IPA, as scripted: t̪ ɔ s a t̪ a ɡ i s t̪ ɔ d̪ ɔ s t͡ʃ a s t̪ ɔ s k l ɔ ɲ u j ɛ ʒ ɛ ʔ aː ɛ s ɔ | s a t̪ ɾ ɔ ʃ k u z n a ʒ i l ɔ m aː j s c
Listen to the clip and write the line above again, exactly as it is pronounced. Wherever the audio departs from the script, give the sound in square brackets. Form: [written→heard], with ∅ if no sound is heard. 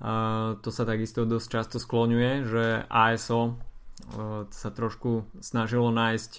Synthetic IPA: t̪ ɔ s a t̪ a ɡ i s t̪ ɔ d̪ ɔ s t͡ʃ a s t̪ ɔ s k l ɔ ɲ u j ɛ ʒ ɛ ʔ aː ɛ s ɔ | s a t̪ ɾ ɔ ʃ k u [z→s] n a ʒ i l ɔ [m→n] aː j s c